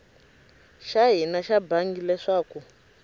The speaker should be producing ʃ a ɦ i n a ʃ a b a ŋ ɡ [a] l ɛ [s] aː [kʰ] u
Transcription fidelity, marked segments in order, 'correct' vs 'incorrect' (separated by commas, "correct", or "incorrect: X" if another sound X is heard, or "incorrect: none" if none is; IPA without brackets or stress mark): incorrect: i, incorrect: ʂ, incorrect: k